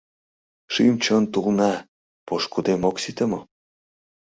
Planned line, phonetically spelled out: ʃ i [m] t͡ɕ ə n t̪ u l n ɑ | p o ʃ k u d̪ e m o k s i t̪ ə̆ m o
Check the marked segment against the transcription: correct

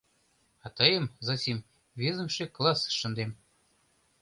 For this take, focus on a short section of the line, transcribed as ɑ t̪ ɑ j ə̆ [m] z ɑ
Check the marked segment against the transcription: correct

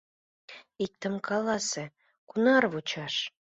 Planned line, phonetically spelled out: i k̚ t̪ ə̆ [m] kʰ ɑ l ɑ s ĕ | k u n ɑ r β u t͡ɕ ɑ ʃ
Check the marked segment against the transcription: correct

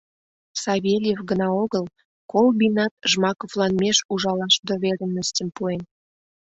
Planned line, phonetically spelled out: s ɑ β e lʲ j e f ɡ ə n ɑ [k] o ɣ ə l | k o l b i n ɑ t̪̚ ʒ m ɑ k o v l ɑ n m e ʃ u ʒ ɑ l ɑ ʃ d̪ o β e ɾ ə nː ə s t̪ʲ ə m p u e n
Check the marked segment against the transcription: incorrect: none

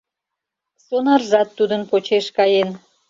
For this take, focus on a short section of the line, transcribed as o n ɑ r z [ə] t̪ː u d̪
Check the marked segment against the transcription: incorrect: ɑ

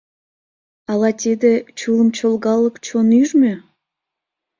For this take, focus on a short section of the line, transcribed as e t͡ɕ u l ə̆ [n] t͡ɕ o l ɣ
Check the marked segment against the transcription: incorrect: m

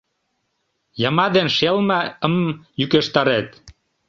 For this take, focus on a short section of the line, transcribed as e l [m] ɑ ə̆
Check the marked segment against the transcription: correct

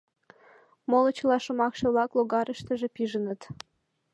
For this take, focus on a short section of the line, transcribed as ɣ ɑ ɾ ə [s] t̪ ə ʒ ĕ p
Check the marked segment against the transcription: incorrect: ʃ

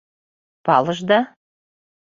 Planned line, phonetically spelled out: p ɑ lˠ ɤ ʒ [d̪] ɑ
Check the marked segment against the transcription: correct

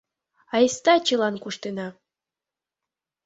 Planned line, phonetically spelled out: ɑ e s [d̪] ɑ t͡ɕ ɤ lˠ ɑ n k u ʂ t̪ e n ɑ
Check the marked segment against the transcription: incorrect: t̪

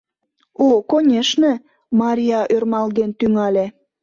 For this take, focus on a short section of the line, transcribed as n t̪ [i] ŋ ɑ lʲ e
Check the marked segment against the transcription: incorrect: y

